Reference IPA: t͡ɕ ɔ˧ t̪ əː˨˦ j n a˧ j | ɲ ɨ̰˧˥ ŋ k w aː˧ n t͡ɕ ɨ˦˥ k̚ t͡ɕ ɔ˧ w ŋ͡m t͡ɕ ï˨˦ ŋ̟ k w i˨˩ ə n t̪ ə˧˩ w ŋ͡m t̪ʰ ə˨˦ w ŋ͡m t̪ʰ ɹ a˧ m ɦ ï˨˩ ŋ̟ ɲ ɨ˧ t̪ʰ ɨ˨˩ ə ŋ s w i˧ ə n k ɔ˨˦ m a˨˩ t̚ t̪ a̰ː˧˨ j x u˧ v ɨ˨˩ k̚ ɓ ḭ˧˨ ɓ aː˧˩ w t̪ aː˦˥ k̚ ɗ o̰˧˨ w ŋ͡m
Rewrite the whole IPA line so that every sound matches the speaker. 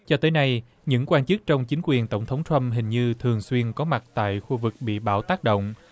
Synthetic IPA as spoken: t͡ɕ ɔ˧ t̪ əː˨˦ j n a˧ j | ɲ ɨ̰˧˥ ŋ k w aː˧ n t͡ɕ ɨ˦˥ k̚ t͡ɕ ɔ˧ w ŋ͡m t͡ɕ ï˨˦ ŋ̟ k w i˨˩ ə n t̪ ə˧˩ w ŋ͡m t̪ʰ ə˨˦ w ŋ͡m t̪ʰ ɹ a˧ m ɦ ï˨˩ ŋ̟ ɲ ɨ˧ t̪ʰ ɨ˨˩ ə ŋ s w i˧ ə n k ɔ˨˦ m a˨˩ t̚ t̪ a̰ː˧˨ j x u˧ v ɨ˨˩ k̚ ɓ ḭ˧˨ ɓ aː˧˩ w t̪ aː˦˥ k̚ ɗ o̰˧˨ w ŋ͡m